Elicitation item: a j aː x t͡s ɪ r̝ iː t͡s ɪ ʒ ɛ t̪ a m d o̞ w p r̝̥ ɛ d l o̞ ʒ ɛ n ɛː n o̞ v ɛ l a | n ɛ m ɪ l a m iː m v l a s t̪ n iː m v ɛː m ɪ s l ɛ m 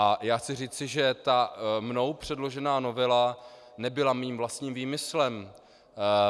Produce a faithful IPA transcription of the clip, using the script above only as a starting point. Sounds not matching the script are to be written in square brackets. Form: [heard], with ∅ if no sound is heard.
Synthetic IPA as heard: a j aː x t͡s ɪ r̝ iː t͡s ɪ ʒ ɛ t̪ a m [n] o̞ w p r̝̥ ɛ d l o̞ ʒ ɛ n [aː] n o̞ v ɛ l a | n ɛ [b] ɪ l a m iː m v l a s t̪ [ɲ] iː m v [iː] m ɪ s l ɛ m